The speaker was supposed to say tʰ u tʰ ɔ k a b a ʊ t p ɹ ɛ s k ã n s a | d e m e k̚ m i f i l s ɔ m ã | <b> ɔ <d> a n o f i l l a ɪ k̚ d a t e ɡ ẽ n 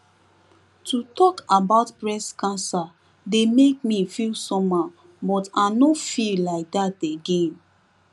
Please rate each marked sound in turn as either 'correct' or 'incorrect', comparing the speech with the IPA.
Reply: correct, incorrect: t

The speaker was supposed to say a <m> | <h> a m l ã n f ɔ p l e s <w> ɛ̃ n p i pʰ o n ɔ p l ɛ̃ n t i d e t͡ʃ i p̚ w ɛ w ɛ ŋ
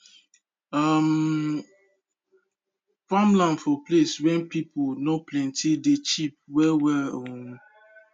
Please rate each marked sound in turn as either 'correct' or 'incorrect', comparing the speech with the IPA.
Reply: correct, incorrect: f, correct

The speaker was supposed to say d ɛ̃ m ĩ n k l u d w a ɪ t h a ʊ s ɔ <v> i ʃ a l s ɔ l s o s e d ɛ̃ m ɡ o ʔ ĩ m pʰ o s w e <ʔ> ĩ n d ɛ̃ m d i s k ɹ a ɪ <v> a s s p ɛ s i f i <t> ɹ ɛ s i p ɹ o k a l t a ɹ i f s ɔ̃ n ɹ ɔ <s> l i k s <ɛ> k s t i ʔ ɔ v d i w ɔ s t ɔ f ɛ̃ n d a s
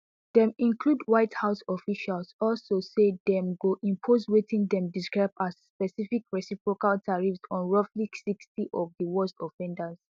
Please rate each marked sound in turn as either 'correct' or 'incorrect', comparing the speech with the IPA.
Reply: incorrect: f, incorrect: t, incorrect: b, incorrect: k, incorrect: f, incorrect: i

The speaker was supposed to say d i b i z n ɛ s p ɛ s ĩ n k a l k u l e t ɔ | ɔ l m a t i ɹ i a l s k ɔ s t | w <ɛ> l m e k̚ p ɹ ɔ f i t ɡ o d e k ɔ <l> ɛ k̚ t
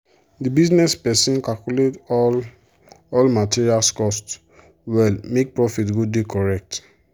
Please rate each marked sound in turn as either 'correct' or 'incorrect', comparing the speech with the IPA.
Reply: correct, incorrect: ɹ

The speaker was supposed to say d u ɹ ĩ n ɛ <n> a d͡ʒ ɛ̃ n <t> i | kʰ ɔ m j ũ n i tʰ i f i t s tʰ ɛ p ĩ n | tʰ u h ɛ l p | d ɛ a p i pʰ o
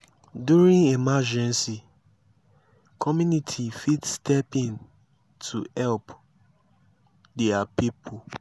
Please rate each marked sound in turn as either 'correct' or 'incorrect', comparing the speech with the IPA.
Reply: incorrect: m, incorrect: s

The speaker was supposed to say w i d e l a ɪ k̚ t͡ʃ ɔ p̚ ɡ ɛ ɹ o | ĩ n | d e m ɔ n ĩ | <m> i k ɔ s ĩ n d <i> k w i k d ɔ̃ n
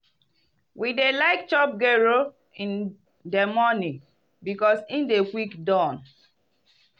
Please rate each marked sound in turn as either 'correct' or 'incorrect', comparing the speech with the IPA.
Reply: incorrect: b, incorrect: e

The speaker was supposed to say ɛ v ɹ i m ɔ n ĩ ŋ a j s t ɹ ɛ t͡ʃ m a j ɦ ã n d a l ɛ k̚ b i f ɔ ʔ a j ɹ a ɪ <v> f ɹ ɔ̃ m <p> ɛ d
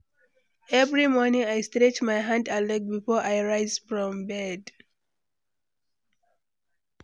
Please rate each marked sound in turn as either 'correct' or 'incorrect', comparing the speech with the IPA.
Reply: incorrect: z, incorrect: b

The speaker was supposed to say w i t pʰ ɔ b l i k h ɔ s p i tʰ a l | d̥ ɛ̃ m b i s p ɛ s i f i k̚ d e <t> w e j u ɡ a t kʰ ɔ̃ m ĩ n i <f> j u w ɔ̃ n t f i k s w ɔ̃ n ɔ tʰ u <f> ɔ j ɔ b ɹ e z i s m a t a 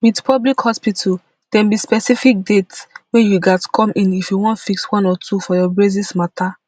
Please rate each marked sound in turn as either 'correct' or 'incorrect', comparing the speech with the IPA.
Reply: correct, correct, correct

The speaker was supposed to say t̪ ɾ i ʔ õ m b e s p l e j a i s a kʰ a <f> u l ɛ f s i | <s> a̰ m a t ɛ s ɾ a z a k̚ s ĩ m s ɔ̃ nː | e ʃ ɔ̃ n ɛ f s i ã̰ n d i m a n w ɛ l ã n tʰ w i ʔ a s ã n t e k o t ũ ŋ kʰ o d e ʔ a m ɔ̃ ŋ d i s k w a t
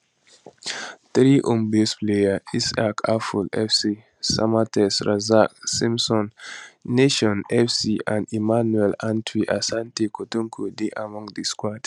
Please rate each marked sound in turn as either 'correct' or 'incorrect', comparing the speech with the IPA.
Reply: correct, correct

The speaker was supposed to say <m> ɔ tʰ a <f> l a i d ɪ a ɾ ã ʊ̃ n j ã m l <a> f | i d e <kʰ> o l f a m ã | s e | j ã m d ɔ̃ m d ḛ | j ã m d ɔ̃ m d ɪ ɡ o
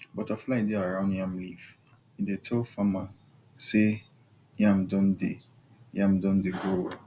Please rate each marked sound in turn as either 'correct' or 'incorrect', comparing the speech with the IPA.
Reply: incorrect: b, correct, incorrect: i, incorrect: tʰ

